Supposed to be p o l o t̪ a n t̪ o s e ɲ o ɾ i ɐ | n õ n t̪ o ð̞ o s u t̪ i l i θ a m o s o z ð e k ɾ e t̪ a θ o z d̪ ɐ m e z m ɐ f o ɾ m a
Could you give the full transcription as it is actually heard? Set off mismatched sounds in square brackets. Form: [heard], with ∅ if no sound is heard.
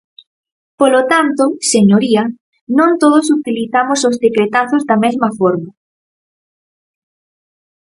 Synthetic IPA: p o l o t̪ a n t̪ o s e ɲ o ɾ i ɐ | n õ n t̪ o ð̞ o s u t̪ i l i θ a m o s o z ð e k ɾ e t̪ a θ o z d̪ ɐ m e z m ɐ f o ɾ m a